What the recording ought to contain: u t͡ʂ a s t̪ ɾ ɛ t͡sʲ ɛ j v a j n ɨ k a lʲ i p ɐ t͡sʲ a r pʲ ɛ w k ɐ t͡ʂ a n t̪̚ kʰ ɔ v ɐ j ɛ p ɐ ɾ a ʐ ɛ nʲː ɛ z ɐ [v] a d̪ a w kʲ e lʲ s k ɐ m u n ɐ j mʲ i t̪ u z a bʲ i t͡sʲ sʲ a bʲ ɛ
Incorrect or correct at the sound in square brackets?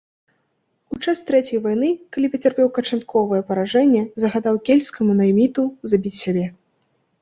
incorrect: ɣ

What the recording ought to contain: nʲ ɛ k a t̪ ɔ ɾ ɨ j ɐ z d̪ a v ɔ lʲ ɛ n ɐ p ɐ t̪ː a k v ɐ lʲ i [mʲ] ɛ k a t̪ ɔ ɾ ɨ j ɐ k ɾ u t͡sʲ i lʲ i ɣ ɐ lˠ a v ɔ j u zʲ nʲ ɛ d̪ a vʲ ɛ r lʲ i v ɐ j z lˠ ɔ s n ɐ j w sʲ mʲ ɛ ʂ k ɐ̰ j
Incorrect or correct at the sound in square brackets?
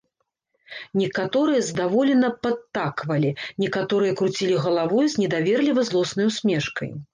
incorrect: nʲ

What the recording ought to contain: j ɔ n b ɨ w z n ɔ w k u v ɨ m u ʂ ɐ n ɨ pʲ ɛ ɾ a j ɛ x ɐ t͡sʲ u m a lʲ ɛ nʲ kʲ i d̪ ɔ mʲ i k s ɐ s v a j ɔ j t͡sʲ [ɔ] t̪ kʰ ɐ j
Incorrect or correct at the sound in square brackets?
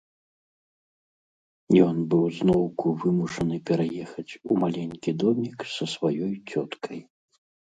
correct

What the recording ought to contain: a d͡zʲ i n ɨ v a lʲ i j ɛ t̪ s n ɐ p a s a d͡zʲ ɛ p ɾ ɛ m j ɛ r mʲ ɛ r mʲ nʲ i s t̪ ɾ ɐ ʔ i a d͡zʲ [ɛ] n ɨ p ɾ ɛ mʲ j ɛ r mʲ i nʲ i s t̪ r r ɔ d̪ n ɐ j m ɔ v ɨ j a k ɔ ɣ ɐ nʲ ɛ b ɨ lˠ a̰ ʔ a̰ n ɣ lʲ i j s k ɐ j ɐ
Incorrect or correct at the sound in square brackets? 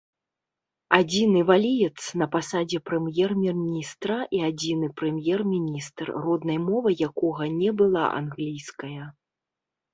incorrect: i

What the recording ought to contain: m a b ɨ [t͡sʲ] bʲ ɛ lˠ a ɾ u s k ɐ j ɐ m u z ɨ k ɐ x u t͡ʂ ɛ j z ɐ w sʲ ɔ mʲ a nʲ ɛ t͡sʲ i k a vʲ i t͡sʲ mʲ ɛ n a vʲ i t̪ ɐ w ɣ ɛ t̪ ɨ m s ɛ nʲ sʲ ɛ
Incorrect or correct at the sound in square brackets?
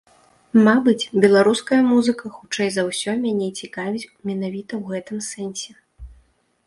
correct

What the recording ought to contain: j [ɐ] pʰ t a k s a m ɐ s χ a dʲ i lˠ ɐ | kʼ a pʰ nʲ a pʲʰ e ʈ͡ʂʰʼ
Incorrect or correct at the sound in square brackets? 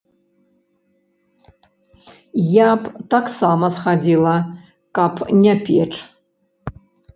incorrect: a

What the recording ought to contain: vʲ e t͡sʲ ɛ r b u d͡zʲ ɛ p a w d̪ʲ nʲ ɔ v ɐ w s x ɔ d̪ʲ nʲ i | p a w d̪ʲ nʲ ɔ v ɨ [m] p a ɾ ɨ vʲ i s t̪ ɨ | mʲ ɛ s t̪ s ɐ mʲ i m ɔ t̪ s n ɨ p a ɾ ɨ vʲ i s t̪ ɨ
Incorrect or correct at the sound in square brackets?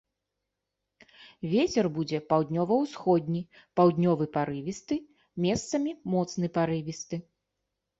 incorrect: none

